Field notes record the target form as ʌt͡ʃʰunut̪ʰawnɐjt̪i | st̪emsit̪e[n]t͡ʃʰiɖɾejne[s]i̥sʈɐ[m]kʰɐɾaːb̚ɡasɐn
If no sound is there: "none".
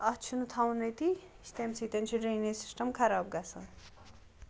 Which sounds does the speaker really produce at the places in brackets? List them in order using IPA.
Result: n, s, m

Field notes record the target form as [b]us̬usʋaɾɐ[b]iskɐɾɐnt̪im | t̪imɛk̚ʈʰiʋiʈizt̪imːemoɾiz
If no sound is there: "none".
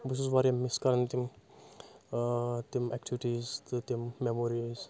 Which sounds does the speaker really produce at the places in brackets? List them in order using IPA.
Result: b, m

